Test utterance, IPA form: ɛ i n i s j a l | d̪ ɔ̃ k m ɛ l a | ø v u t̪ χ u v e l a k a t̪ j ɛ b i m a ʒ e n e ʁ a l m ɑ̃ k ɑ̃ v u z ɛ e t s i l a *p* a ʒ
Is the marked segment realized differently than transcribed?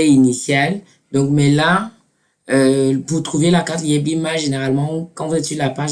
no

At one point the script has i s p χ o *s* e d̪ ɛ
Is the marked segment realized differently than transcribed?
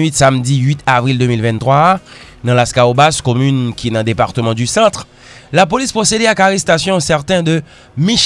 no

